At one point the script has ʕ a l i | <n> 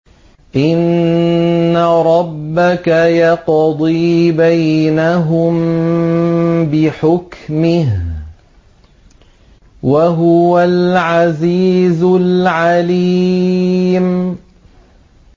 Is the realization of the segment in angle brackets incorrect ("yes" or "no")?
yes